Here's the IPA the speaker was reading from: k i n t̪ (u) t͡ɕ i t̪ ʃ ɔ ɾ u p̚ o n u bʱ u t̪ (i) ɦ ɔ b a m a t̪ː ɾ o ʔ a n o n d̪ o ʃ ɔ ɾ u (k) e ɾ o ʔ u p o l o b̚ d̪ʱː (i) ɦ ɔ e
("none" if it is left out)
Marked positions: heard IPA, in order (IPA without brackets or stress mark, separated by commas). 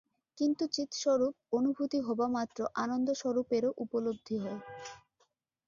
u, i, p, i